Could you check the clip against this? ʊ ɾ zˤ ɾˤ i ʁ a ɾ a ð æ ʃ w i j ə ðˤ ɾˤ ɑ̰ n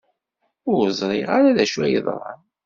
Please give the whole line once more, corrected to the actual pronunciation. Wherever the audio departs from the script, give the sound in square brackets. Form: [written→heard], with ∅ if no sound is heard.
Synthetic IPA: ʊ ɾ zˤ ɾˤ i ʁ a ɾ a ð æ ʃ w [i→æ] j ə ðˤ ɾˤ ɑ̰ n